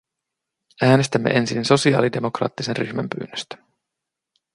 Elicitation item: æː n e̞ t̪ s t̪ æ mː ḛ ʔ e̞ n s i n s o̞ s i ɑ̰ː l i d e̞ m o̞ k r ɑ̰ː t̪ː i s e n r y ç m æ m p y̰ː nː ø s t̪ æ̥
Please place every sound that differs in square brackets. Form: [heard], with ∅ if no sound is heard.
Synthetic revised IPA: æː n e̞ [∅] s t̪ æ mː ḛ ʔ e̞ n s i n s o̞ s i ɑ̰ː l i d e̞ m o̞ k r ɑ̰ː t̪ː i s e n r y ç m æ m p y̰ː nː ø s t̪ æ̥